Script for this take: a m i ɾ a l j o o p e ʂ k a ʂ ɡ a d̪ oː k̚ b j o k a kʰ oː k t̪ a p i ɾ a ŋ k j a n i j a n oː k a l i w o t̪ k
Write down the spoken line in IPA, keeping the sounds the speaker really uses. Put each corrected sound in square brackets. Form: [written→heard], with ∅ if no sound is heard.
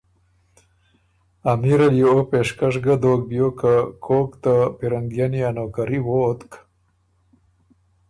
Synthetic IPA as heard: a m i ɾ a l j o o p e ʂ k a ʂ ɡ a d̪ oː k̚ b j o k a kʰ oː k t̪ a p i ɾ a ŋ [k→ɡ] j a n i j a n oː k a [l→ɾ] i w o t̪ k